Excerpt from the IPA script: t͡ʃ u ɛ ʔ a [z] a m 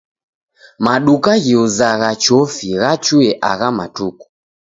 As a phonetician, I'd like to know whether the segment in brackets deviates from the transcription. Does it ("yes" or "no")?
yes